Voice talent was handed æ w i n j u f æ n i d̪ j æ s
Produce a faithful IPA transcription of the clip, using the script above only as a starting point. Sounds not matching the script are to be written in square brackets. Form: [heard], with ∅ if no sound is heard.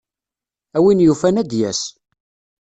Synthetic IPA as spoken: æ w i n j u f æ n [æ] d̪ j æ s

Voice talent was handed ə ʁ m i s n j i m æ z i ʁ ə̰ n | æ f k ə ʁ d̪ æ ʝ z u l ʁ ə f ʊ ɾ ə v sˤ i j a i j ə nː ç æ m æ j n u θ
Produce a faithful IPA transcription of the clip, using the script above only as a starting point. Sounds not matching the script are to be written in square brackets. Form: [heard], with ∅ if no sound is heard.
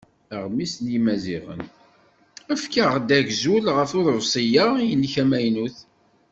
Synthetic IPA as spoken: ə ʁ m i s n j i m æ z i ʁ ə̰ n | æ f k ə ʁ d̪ æ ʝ z u l ʁ ə f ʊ ɾ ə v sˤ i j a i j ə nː ç æ m æ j n u θ

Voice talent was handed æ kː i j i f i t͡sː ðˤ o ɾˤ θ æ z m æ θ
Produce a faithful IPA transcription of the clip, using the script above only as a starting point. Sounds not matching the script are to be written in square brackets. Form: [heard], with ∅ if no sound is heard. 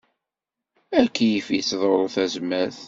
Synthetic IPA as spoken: æ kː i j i f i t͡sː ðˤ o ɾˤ θ æ z m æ θ

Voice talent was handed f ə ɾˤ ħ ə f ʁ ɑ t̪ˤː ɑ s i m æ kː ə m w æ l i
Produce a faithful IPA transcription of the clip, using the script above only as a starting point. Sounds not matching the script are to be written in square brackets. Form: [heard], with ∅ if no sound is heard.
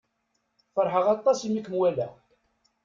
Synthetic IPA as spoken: f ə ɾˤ ħ ə [∅] ʁ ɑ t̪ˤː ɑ s i m [i] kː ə m w æ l [æ]

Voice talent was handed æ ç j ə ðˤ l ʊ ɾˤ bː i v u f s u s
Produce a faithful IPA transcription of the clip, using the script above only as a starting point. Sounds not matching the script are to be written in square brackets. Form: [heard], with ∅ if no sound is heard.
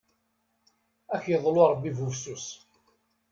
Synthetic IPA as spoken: æ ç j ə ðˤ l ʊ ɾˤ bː i v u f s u s

